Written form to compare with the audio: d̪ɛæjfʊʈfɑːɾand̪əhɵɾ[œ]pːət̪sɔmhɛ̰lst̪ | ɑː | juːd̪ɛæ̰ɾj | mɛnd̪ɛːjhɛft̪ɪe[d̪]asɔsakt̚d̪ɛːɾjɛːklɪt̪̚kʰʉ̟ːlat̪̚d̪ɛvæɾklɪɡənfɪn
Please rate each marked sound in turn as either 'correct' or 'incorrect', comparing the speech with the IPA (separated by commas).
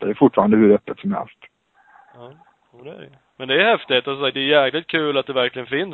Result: correct, incorrect